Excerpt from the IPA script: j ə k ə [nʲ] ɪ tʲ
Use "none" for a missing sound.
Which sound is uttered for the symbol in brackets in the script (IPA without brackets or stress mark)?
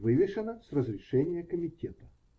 mʲ